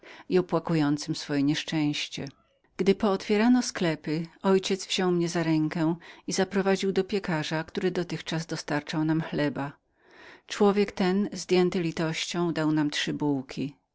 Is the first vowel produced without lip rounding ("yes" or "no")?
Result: yes